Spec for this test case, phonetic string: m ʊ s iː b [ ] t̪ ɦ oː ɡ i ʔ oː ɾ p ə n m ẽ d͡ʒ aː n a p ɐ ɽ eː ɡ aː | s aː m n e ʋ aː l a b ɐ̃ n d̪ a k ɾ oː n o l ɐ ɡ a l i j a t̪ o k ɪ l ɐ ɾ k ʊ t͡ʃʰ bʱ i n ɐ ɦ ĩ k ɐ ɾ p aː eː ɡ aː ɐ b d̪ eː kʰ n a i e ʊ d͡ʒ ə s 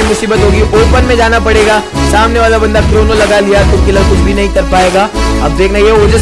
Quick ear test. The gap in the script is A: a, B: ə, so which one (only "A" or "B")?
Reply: B